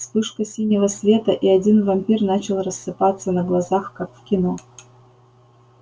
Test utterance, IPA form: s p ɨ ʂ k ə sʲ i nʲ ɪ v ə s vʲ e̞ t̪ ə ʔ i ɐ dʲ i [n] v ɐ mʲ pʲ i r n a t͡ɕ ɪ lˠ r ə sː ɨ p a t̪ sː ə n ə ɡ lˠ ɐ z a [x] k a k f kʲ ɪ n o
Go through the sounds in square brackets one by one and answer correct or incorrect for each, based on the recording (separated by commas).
correct, correct